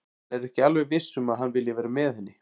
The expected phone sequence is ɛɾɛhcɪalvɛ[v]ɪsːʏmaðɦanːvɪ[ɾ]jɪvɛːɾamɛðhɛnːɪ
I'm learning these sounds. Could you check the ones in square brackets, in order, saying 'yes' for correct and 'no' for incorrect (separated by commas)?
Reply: yes, no